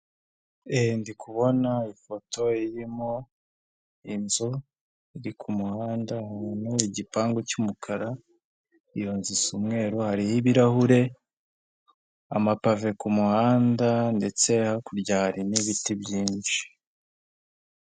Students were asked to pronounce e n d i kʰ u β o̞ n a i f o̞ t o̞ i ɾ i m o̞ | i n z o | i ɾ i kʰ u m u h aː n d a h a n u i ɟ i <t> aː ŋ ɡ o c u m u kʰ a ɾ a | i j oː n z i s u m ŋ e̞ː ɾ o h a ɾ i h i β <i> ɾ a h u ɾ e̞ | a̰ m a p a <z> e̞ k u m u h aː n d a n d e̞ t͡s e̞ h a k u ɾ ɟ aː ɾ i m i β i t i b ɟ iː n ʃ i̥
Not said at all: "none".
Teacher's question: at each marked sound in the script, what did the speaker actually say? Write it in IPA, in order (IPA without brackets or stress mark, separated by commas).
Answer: p, i, v